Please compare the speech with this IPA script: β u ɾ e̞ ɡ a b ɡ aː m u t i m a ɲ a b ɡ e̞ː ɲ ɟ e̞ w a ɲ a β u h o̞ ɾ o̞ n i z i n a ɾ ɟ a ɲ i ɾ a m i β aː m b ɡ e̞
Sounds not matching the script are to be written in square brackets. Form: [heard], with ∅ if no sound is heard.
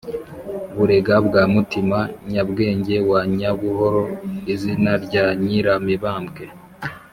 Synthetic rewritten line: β u ɾ e̞ ɡ a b ɡ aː m u t i m a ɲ a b ɡ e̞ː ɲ ɟ e̞ w a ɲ a β u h o̞ ɾ o̞ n i z i n a ɾ ɟ a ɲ i ɾ a m i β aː m b ɡ e̞